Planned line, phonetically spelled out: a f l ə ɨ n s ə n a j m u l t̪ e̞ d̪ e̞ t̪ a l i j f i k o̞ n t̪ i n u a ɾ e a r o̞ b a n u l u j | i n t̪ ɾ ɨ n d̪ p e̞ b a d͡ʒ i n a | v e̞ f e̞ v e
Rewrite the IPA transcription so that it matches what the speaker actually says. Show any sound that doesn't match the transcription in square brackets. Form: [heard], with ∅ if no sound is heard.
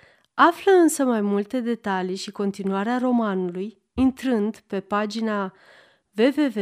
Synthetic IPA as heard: a f l ə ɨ n s ə [m] a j m u l t̪ e̞ d̪ e̞ t̪ a l i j [ʃ] i k o̞ n t̪ i n u a ɾ e a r o̞ [m] a n u l u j | i n t̪ ɾ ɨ n d̪ p e̞ [p] a d͡ʒ i n a | v e̞ [v] e̞ v e